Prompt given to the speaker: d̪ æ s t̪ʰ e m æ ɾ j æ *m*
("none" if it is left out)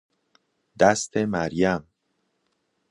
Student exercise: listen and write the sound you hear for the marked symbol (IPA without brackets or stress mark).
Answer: m